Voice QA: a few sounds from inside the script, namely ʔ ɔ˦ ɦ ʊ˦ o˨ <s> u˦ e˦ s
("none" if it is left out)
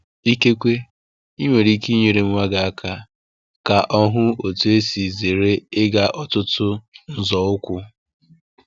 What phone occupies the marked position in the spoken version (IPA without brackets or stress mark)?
t